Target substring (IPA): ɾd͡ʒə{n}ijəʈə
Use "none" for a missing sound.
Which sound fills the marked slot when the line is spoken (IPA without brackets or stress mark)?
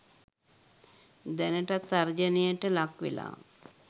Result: n